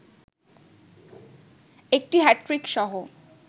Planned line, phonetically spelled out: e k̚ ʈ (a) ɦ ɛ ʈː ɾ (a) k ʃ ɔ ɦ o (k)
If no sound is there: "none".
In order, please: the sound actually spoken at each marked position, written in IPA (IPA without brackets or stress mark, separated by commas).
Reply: i, i, none